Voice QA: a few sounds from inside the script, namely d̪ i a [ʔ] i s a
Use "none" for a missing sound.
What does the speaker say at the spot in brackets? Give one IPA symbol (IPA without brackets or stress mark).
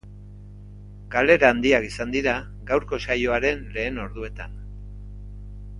k